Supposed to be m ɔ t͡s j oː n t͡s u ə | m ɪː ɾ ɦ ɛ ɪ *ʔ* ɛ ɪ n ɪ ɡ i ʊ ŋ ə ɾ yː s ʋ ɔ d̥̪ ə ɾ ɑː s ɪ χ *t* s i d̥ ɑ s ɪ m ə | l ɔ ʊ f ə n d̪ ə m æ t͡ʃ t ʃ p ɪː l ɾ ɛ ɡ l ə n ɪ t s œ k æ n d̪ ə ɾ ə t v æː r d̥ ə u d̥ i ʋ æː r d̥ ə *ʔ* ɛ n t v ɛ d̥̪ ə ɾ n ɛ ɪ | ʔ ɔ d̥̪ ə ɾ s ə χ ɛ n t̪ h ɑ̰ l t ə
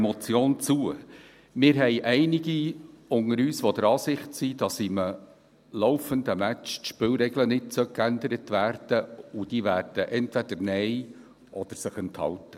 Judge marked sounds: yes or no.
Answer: yes, yes, yes

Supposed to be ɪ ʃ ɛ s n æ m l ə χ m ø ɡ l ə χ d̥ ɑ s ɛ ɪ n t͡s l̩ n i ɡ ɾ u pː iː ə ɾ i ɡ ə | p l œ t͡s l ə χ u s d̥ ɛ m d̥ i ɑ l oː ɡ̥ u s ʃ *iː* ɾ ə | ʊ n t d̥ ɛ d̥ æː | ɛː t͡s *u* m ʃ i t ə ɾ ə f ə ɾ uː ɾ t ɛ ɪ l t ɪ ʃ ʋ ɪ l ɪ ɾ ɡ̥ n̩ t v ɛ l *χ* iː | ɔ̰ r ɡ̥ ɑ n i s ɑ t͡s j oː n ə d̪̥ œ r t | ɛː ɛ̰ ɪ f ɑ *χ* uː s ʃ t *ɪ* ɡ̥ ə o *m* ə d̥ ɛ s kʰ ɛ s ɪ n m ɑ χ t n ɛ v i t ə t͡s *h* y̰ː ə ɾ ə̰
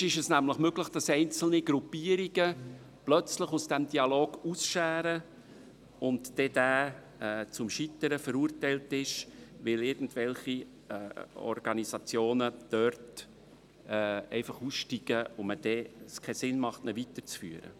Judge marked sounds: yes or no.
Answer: no, no, yes, yes, no, yes, no

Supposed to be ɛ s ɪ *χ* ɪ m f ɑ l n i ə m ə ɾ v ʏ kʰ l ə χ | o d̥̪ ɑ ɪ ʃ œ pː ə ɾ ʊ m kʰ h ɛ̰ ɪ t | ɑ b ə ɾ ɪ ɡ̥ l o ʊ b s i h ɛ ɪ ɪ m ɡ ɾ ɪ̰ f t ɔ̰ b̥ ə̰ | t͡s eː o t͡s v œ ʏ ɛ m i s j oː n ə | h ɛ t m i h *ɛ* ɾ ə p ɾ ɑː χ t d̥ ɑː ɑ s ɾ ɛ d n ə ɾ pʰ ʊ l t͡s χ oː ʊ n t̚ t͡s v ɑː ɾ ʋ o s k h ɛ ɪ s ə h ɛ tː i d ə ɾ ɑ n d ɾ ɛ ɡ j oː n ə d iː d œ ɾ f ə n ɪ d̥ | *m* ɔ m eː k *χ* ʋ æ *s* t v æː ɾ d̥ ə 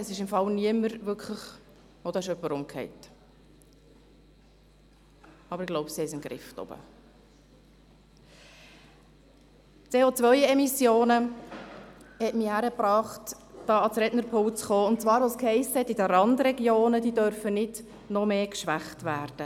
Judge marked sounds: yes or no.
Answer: no, no, no, no, no

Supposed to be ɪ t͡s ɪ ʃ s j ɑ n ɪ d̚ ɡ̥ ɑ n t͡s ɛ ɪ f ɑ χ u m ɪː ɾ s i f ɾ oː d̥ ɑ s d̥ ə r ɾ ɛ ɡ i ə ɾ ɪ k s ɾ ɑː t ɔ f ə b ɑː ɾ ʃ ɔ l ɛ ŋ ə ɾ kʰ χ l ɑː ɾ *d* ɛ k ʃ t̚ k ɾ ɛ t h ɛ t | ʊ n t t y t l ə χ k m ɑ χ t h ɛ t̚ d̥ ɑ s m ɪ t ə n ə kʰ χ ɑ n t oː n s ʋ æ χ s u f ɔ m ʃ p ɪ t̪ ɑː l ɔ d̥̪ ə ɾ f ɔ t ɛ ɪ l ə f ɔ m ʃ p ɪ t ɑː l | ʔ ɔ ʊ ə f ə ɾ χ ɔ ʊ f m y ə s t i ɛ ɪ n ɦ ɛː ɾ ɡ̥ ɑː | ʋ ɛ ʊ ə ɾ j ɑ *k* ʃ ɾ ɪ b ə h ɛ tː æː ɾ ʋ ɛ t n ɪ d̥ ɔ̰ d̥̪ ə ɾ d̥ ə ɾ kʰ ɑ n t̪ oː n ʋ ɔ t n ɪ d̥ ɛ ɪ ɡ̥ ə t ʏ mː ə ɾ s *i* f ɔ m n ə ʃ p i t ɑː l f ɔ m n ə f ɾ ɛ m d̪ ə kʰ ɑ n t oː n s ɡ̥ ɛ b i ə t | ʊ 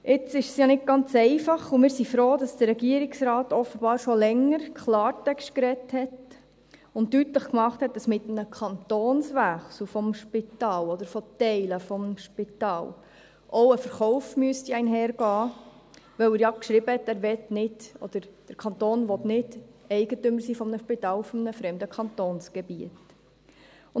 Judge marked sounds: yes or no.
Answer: no, yes, no

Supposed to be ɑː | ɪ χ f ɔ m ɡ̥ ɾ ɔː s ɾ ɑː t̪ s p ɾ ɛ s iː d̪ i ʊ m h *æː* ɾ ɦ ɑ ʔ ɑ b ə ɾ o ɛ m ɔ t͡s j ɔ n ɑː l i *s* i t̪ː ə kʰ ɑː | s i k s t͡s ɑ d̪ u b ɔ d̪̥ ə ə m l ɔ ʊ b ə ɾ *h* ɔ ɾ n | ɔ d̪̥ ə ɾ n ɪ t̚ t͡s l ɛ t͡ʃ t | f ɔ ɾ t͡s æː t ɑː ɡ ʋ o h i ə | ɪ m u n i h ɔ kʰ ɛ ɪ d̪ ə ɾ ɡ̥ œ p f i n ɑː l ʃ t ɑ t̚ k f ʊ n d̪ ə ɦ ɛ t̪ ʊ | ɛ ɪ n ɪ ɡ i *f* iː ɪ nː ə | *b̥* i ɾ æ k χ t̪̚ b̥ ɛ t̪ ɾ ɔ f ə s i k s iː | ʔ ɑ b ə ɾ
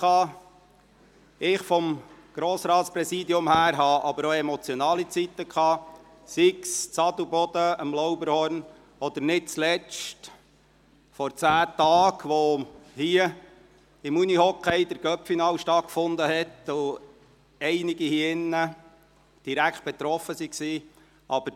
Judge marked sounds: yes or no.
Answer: yes, no, yes, no, no

